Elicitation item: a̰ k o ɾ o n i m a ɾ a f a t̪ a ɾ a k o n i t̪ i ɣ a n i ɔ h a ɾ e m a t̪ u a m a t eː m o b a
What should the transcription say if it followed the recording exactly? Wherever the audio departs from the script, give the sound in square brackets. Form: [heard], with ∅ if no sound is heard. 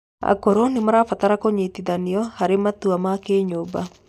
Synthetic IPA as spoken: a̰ k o ɾ o n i m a ɾ a f a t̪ a ɾ a k o [ɲ] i t̪ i [ð] a n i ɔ h a ɾ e m a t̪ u a m a [k] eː [ɲ] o b a